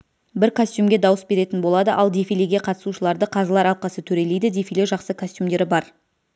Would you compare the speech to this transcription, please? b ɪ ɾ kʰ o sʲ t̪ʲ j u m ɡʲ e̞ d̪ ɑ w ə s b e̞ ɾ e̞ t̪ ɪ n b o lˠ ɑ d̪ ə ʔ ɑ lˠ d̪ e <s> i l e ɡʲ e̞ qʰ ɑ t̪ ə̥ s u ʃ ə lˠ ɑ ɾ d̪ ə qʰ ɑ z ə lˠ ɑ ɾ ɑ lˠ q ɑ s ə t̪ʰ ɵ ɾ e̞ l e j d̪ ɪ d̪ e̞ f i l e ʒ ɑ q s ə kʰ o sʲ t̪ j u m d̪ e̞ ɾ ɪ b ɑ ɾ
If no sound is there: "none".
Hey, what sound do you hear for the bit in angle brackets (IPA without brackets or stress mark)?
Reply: f